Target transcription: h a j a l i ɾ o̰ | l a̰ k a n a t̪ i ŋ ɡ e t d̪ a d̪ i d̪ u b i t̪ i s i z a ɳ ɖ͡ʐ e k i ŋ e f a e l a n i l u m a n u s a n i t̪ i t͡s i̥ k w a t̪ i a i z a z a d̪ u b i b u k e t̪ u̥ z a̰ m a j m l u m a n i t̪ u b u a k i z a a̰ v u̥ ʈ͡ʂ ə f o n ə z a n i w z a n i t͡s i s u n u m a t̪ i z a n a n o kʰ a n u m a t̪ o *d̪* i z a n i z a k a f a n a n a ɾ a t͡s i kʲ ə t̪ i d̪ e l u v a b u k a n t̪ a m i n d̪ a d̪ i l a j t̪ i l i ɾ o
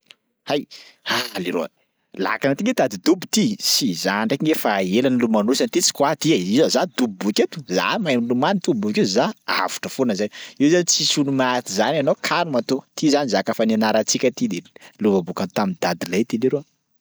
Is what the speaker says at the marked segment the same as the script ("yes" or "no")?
no